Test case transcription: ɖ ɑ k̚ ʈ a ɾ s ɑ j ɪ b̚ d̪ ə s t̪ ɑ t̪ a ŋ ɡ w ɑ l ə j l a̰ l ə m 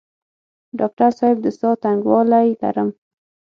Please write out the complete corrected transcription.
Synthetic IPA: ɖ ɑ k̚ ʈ a ɾ s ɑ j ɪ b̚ d̪ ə s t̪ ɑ t̪ a ŋ ɡ w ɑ l a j l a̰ ɾ ə m